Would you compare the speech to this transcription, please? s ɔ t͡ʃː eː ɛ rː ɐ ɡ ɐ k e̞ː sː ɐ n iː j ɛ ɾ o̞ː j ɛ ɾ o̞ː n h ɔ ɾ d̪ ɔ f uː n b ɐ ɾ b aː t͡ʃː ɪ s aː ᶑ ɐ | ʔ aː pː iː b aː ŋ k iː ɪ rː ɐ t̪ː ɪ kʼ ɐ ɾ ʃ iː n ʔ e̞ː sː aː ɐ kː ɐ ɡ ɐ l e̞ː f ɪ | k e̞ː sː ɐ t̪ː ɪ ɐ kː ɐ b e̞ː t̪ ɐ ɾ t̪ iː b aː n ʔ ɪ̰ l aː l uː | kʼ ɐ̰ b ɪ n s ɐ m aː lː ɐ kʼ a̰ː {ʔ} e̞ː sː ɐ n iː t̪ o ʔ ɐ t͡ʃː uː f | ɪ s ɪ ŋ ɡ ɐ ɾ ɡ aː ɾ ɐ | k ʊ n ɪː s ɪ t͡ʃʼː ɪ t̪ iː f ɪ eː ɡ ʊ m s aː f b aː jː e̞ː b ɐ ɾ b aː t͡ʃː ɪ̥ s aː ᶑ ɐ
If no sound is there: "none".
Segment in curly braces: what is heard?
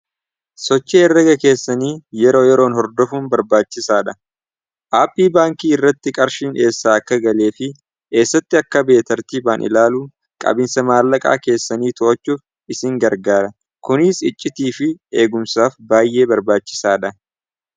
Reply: k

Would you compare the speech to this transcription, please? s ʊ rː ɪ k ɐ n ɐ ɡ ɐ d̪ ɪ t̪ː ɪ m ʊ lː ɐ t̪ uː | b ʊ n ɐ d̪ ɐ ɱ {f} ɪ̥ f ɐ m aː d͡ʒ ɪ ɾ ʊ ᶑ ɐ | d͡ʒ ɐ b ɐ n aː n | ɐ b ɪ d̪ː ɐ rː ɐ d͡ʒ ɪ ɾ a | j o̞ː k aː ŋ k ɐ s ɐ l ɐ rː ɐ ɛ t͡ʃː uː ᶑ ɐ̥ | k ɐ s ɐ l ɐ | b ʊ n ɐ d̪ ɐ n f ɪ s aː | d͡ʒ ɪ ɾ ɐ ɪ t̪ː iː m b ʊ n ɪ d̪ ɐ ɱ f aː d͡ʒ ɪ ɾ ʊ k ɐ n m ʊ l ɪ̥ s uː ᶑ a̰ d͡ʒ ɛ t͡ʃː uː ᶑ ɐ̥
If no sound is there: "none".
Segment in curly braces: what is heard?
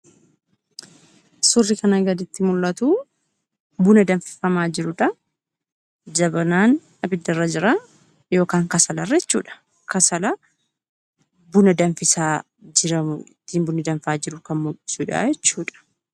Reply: f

